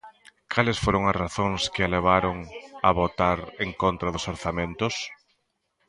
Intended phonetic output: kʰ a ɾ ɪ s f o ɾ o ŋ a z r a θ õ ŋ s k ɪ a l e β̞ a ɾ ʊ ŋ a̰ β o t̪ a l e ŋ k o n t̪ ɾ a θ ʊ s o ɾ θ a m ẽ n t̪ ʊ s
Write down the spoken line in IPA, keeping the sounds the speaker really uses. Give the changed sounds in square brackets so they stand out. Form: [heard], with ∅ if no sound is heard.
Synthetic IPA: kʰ a [l] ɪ s f o ɾ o ŋ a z r a θ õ ŋ s k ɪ a l e β̞ a ɾ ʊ ŋ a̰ β o t̪ a [ɾ] e ŋ k o n t̪ ɾ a [ð] ʊ s o ɾ θ a m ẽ n t̪ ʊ s